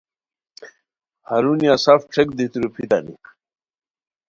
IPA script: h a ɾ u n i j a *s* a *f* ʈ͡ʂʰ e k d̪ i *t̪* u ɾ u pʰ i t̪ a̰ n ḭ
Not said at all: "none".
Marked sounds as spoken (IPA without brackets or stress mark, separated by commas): s, f, t̪